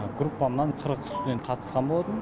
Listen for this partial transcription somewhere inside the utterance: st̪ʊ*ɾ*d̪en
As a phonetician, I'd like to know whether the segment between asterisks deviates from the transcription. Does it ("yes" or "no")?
yes